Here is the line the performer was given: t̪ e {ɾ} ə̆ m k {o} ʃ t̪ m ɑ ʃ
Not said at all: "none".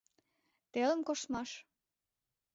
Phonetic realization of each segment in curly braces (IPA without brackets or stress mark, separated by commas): l, o